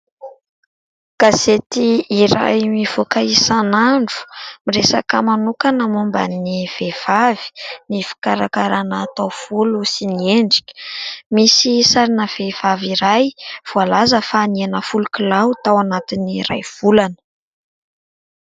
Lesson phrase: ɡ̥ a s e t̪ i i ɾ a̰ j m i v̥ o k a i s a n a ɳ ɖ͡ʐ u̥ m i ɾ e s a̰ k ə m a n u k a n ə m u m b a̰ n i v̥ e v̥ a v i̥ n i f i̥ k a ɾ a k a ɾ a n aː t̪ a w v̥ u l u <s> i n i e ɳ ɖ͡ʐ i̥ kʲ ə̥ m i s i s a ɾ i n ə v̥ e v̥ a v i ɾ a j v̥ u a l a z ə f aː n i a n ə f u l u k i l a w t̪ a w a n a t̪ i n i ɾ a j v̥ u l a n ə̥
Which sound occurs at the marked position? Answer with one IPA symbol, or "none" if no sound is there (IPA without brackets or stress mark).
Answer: s